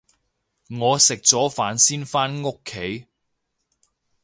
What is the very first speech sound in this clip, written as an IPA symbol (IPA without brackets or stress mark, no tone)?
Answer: ŋ